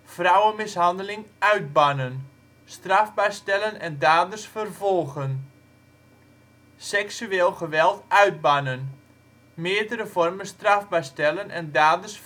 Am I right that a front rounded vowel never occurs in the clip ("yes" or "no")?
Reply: no